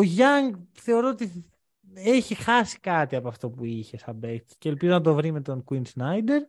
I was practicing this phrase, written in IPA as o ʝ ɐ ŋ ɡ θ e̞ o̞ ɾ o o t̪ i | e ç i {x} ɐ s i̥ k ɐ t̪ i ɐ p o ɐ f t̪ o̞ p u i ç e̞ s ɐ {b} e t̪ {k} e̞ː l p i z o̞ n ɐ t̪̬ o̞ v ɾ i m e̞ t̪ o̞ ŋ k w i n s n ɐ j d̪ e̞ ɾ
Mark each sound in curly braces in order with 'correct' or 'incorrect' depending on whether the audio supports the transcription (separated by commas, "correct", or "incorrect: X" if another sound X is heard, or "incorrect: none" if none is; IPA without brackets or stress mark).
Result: correct, correct, incorrect: c